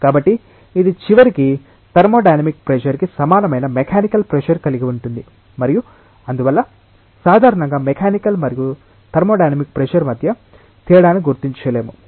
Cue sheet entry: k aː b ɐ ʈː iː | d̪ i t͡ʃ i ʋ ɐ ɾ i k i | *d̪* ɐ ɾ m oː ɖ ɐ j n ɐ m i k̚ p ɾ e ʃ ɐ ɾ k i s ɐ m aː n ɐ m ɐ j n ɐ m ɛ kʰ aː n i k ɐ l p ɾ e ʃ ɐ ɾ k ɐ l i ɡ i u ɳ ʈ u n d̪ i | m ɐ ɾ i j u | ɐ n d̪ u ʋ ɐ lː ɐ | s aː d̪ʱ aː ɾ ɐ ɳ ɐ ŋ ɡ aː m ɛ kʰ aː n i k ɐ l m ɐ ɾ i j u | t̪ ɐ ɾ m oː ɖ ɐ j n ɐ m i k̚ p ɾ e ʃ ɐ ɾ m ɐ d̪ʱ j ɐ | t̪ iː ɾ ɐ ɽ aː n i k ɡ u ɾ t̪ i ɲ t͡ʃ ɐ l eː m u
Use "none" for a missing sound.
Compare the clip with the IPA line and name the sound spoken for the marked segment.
t̪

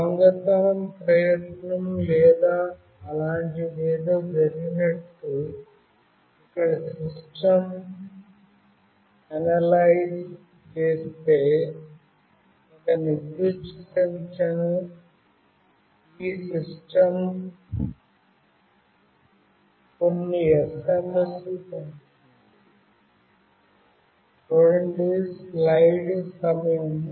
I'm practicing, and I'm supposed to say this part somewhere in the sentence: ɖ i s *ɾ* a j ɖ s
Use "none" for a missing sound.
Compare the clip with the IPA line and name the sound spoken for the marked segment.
l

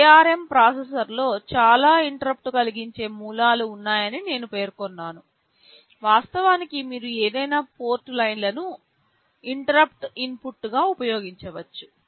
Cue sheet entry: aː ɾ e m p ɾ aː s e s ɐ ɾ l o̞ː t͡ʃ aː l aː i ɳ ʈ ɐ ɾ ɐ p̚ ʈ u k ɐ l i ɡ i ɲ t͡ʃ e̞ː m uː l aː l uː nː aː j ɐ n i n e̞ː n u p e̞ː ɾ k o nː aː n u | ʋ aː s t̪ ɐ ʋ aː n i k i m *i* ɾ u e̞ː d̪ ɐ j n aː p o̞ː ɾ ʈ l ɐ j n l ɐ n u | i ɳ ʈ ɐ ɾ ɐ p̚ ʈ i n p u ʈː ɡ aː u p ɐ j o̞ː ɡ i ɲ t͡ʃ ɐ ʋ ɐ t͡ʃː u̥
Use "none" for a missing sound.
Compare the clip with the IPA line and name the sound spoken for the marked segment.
iː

